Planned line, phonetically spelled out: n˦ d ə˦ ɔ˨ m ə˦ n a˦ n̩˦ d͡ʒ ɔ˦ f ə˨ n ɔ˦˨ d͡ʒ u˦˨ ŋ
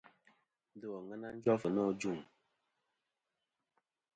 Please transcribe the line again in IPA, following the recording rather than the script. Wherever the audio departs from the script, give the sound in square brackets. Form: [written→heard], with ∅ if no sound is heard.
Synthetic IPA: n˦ d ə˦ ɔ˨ [m→ŋ] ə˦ n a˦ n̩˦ d͡ʒ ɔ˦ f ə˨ n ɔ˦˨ d͡ʒ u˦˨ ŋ